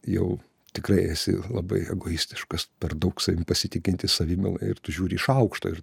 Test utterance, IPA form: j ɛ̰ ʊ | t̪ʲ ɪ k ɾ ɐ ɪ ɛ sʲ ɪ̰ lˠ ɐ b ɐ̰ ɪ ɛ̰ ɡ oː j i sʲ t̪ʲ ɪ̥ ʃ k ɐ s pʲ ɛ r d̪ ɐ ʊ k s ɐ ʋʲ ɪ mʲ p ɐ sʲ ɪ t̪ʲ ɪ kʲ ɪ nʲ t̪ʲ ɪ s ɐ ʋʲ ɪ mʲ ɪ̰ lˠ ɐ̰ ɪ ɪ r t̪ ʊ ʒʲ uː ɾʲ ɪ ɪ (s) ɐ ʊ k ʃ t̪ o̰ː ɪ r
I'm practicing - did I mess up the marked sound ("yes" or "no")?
yes